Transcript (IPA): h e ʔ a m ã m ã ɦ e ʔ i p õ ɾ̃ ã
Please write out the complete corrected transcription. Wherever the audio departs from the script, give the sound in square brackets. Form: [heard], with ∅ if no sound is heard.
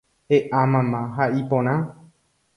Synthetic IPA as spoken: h e ʔ a m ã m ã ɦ [a] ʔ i p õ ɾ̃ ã